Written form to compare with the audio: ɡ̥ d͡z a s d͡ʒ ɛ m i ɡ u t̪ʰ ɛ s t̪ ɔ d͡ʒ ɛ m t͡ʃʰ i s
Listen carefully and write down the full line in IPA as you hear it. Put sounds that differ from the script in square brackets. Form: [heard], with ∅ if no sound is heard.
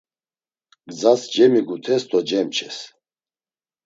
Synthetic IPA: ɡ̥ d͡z a s d͡ʒ ɛ m i ɡ u t̪ʰ ɛ s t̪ ɔ d͡ʒ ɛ m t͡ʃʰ [ɛ] s